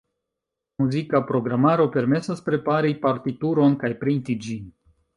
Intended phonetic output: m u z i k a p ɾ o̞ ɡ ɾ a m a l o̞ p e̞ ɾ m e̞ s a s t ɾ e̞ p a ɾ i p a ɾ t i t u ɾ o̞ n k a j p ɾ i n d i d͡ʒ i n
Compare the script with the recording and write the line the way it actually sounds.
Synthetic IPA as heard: m u z i k a p ɾ o̞ ɡ ɾ a m a ɾ o̞ p e̞ ɾ m e̞ s a s p ɾ e̞ p a ɾ i p a ɾ t i t u ɾ o̞ n k a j p ɾ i n t i d͡ʒ i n